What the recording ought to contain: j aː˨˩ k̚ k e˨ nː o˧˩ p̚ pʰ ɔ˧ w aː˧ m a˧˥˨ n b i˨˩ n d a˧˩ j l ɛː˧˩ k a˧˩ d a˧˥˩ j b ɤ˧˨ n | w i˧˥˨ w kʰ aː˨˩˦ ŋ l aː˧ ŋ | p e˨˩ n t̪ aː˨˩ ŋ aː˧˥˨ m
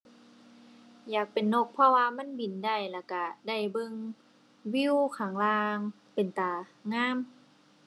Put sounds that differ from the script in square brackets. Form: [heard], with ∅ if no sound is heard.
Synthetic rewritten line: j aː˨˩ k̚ [p] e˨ nː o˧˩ [k̚] pʰ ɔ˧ w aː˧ m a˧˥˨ n b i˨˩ n d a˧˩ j l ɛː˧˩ k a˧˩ d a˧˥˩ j b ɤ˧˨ [ŋ] | w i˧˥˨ w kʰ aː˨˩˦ ŋ l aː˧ ŋ | p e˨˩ n t̪ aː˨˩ ŋ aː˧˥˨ m